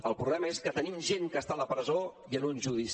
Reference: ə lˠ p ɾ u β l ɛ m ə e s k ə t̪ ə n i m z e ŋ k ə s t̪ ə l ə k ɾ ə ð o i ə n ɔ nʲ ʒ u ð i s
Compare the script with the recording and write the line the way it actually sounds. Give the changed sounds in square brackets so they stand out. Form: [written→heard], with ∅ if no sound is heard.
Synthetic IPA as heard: ə lˠ p ɾ u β l ɛ m ə e s k ə t̪ ə n i m [z→ʒ] e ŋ k ə s t̪ [ə→a] l ə [k→p] ɾ ə [ð→z] o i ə n [ɔ→u] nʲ ʒ u ð i s